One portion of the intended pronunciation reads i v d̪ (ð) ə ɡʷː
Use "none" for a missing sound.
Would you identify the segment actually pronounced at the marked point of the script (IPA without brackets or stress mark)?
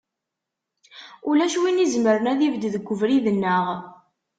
ð